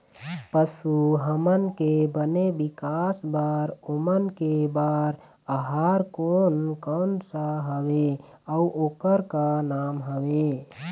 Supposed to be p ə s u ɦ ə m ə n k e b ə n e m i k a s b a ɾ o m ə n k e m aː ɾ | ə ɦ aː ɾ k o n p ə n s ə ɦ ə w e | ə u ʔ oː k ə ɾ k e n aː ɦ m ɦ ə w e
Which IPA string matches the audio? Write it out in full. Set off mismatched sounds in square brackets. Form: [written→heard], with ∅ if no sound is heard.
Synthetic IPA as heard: p ə s u ɦ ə m ə n k e b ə n e [m→b] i k a s b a ɾ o m ə n k e [m→b] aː ɾ | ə ɦ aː ɾ k o n [p→k] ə n s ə ɦ ə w e | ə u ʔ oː k ə ɾ k [e→a] n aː [ɦ→∅] m ɦ ə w e